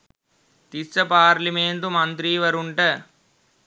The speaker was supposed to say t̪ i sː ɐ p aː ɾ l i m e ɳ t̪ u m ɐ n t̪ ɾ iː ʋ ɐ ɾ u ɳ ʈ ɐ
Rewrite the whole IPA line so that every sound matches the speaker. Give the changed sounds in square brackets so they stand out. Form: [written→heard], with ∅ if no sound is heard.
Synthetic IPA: t̪ i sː ɐ p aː ɾ l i m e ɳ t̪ u m ɐ n t̪ ɾ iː ʋ ɐ ɾ u ɳ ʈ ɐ